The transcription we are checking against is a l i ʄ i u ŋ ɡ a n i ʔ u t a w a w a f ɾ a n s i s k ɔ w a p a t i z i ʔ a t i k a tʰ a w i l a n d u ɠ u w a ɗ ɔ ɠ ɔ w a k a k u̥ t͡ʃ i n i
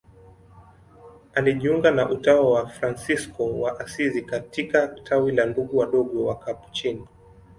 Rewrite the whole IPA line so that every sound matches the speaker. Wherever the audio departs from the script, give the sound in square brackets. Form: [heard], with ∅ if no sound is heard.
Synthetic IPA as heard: a l i ʄ i u ŋ ɡ a n [a] ʔ u t a w a w a f ɾ a n s i s k ɔ w a [ʔ] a [s] i z i [k] a t i k a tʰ a w i l a n d u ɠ u w a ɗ ɔ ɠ ɔ w a k a [p] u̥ t͡ʃ i n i